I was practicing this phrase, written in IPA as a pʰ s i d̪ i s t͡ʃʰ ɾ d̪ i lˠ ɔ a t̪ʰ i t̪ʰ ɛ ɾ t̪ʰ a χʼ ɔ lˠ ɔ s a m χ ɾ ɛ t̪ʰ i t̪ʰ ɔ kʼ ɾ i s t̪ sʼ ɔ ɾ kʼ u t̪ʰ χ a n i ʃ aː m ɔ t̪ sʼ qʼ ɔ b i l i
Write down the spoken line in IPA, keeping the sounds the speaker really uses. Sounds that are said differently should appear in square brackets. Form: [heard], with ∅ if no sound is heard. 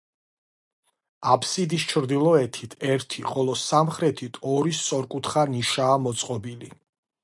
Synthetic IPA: a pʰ s i d̪ i s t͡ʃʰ ɾ d̪ i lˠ ɔ [ɛ] t̪ʰ i t̪ʰ ɛ ɾ t̪ʰ [i] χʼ ɔ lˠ ɔ s a m χ ɾ ɛ t̪ʰ i t̪ʰ ɔ [∅] ɾ i s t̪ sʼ ɔ ɾ kʼ u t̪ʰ χ a n i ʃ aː m ɔ t̪ sʼ qʼ ɔ b i l i